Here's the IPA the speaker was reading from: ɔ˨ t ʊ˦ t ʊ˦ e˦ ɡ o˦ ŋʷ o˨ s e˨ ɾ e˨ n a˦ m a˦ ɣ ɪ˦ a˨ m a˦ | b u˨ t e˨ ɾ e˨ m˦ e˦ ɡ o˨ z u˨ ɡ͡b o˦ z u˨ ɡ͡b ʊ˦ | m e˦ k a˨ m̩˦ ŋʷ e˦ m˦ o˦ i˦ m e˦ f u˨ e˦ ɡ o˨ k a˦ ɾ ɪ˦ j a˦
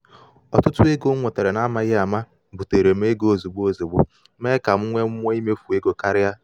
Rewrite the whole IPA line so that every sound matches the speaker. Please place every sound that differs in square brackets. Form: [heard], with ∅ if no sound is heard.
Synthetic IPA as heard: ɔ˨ t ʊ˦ t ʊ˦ e˦ ɡ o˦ ŋʷ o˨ [t] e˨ ɾ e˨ n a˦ m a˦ ɣ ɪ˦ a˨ m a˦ | b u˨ t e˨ ɾ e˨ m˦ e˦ ɡ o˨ z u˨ ɡ͡b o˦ z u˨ ɡ͡b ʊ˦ | m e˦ k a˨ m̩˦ ŋʷ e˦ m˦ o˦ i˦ m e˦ f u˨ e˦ ɡ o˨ k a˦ ɾ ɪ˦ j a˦

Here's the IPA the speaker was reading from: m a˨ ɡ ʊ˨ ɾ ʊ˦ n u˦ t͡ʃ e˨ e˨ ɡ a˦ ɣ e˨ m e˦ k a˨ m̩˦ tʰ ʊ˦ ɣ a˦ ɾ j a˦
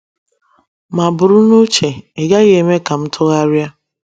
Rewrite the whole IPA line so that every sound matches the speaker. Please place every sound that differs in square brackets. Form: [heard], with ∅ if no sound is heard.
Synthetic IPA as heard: m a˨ [b] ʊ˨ ɾ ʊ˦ n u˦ t͡ʃ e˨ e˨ ɡ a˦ ɣ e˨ m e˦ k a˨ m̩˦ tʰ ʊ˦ ɣ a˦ ɾ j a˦

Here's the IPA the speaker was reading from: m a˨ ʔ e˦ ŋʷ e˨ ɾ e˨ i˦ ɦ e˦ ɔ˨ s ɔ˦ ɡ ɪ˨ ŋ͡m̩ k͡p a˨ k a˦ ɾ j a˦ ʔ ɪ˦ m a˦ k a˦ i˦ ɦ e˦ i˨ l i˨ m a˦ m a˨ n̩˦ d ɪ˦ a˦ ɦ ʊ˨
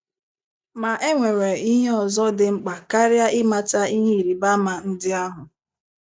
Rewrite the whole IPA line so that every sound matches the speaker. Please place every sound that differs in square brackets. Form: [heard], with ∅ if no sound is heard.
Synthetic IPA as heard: m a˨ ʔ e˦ ŋʷ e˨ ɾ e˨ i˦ ɦ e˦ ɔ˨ [z] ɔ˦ [d] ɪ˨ ŋ͡m̩ k͡p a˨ k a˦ ɾ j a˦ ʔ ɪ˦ m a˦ [t] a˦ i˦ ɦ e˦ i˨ [ɾ] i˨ [b] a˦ m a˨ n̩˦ d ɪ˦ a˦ ɦ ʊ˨

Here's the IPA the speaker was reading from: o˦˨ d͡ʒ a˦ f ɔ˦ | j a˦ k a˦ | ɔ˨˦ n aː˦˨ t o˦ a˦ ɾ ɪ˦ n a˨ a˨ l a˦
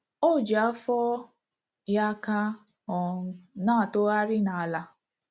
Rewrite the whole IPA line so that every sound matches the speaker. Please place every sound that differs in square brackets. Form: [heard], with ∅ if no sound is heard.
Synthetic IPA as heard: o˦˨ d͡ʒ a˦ f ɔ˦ | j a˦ k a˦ | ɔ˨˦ n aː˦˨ t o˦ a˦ ɾ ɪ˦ n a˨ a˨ l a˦

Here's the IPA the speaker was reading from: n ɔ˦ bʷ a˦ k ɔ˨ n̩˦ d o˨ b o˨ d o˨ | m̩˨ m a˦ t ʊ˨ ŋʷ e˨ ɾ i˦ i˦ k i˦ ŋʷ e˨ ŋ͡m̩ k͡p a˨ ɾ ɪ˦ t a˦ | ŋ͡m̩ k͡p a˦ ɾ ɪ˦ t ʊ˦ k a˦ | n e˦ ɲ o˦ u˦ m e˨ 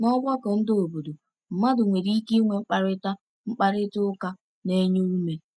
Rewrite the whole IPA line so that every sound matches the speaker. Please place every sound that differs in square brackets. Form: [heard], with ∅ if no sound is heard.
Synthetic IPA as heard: n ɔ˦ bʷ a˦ k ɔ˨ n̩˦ d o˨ b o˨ d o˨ | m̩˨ m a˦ [d] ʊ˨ ŋʷ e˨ ɾ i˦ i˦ k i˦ ŋʷ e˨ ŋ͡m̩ k͡p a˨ ɾ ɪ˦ t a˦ | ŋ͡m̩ k͡p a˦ ɾ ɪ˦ t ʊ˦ k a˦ | n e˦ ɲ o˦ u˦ m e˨

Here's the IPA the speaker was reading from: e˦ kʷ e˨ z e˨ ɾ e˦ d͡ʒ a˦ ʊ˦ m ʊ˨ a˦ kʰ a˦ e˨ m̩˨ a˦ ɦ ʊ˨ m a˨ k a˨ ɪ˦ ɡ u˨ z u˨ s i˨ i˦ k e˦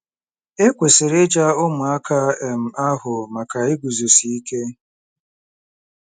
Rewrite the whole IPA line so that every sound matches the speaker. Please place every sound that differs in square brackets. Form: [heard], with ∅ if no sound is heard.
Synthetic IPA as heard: e˦ kʷ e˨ [s] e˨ ɾ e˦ d͡ʒ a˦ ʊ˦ m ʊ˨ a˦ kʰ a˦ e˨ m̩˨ a˦ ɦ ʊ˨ m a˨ k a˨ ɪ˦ ɡ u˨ z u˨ s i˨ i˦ k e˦

